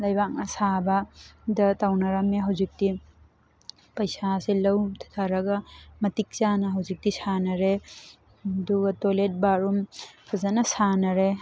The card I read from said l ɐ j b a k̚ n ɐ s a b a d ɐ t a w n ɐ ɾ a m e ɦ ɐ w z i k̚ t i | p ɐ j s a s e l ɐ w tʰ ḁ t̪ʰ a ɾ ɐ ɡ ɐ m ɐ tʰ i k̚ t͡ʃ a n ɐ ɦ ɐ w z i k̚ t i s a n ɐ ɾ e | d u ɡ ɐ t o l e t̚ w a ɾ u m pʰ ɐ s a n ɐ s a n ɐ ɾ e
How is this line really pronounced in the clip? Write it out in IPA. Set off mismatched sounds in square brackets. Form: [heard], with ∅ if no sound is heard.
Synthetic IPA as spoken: l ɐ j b a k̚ n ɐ s a b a d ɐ t a w n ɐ ɾ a m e ɦ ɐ w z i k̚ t i | p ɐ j s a s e l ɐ w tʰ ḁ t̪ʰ a ɾ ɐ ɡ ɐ m ɐ [t] i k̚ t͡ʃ a n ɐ ɦ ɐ w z i k̚ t i s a n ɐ ɾ e | d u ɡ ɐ t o l e t̚ [b] a ɾ u m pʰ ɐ [z] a n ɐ s a n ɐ ɾ e

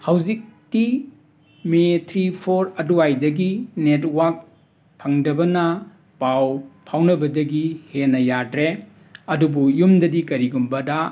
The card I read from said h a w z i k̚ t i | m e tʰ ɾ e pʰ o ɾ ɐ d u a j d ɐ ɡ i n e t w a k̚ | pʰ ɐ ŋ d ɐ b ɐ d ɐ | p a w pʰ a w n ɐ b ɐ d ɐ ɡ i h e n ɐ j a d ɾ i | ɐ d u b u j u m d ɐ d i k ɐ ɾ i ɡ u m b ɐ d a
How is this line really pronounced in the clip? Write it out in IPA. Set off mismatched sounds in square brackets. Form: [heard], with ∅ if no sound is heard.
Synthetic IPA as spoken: h a w z i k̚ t i | m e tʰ ɾ [i] pʰ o ɾ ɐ d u a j d ɐ ɡ i n e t w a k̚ | pʰ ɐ ŋ d ɐ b ɐ [n] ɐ | p a w pʰ a w n ɐ b ɐ d ɐ ɡ i h e n ɐ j a d ɾ [e] | ɐ d u b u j u m d ɐ d i k ɐ ɾ i ɡ u m b ɐ d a

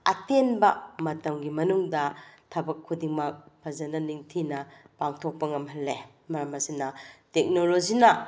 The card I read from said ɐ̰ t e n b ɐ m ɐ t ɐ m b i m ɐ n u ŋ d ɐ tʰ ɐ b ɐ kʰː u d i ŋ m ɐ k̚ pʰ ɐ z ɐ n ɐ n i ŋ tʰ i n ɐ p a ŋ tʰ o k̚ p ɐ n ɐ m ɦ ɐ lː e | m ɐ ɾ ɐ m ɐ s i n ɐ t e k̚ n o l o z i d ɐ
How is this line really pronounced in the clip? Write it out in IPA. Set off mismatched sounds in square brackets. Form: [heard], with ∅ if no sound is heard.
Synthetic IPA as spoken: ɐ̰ t e n b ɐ m ɐ t ɐ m [ɡ] i m ɐ n u ŋ d ɐ tʰ ɐ b ɐ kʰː u d i ŋ m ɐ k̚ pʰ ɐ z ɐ n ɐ n i ŋ tʰ i n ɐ p a ŋ tʰ o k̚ p ɐ [ŋ] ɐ m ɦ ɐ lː e | m ɐ ɾ ɐ m ɐ s i n ɐ t e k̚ n o l o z i [n] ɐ

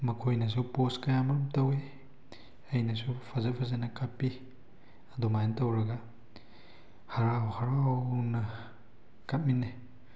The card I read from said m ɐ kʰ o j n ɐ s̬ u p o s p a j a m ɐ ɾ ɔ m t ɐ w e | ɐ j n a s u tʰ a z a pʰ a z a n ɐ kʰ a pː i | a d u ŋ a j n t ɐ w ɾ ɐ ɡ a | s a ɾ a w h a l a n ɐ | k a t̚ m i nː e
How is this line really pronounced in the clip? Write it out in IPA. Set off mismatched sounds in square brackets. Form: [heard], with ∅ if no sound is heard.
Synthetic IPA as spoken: m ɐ kʰ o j n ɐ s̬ u p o s [k] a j a m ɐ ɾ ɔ m t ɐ w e | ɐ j n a s u [pʰ] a z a pʰ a z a n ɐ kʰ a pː i | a d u [m] a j n t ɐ w ɾ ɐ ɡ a | [h] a ɾ a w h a [ɾ] a n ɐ | k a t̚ m i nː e

